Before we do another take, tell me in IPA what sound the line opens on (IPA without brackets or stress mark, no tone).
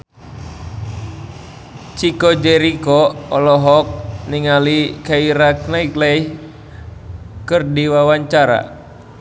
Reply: t͡ʃ